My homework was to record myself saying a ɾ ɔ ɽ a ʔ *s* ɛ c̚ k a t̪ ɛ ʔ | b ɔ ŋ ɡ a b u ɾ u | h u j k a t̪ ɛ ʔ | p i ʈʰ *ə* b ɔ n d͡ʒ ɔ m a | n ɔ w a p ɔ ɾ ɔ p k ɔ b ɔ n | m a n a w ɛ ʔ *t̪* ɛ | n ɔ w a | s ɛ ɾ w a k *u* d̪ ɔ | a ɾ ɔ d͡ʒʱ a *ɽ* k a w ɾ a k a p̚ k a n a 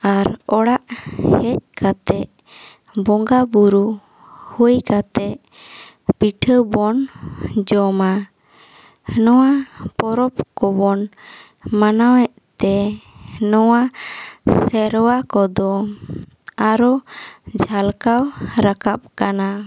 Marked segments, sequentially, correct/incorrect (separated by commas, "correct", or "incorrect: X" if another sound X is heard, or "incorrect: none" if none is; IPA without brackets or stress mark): incorrect: h, correct, correct, incorrect: ɔ, incorrect: l